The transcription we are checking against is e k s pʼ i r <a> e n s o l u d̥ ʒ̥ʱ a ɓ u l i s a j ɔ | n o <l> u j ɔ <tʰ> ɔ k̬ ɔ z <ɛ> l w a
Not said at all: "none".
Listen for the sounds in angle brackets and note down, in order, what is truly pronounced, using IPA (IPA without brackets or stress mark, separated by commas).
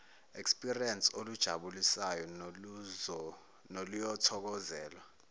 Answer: i, l, tʰ, ɛː